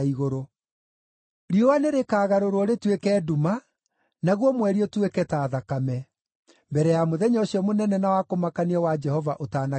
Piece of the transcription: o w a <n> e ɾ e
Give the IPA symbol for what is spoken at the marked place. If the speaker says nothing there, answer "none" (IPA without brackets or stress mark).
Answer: n